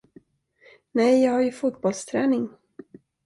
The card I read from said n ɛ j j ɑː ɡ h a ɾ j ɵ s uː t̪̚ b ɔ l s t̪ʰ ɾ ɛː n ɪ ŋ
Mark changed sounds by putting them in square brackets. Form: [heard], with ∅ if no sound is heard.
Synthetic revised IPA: n ɛ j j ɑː ɡ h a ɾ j ɵ [f] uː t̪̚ b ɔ l s t̪ʰ ɾ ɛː n ɪ ŋ